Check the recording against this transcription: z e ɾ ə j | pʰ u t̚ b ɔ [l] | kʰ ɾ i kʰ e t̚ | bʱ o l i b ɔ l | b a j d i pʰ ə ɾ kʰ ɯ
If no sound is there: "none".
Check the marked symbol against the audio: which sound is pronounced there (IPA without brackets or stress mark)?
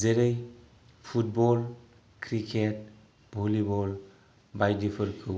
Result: l